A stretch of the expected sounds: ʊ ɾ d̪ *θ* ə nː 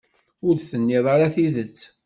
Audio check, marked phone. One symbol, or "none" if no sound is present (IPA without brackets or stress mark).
θ